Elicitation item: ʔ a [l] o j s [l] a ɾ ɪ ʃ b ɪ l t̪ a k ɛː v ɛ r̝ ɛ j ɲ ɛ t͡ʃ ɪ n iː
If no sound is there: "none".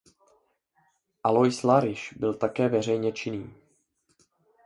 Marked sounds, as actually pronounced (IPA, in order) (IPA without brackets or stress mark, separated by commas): l, l